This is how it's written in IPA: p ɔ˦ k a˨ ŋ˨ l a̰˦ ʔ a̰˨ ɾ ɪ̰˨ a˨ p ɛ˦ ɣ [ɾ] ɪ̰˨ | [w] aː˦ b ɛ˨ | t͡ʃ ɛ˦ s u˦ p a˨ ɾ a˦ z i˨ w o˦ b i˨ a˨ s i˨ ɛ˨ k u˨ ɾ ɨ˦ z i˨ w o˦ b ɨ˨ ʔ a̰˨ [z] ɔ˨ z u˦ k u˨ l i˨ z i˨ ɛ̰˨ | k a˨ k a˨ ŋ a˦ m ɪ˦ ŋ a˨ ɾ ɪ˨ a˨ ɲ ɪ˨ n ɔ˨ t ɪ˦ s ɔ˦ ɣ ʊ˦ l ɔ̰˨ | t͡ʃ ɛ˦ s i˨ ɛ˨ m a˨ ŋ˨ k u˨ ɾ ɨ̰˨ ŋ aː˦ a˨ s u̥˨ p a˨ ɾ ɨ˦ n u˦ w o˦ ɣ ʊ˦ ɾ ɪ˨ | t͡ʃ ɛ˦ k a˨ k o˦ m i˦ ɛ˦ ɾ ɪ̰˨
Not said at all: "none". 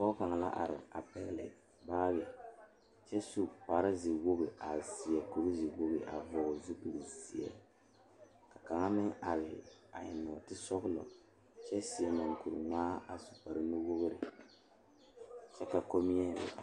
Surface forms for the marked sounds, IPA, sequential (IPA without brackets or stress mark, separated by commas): l, b, v